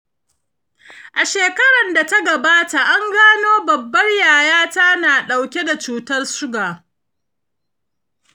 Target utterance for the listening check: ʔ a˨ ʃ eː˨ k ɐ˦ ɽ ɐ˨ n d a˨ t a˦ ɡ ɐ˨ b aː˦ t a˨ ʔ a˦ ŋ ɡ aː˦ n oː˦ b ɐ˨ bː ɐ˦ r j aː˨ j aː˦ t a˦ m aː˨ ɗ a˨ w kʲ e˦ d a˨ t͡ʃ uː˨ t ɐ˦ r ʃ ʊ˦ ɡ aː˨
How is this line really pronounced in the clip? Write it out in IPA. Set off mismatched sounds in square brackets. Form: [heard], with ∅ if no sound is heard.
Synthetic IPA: ʔ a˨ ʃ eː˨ k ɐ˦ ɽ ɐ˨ n d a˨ t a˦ ɡ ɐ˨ b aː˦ t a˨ ʔ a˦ ŋ ɡ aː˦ n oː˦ b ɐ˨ bː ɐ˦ r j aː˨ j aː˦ t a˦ [n] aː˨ ɗ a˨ w kʲ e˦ d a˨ t͡ʃ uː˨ t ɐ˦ r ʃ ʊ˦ ɡ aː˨